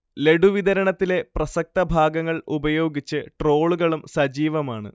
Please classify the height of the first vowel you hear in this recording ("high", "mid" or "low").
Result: mid